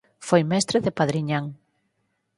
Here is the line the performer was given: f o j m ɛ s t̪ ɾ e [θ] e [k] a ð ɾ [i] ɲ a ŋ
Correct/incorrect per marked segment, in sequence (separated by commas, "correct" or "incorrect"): incorrect, incorrect, correct